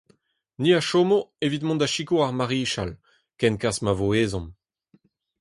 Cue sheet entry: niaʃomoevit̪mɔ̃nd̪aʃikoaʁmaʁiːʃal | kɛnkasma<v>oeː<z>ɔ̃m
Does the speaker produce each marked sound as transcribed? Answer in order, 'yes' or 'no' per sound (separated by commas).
yes, yes